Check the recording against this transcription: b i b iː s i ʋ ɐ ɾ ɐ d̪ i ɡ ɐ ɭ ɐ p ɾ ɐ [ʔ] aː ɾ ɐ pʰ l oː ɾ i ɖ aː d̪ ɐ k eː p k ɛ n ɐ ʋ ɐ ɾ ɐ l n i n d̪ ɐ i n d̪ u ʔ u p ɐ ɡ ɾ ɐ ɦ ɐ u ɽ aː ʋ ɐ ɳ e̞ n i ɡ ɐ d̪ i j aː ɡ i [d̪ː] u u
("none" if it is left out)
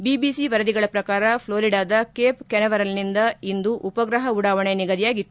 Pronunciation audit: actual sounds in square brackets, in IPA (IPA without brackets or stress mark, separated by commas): k, t̪ː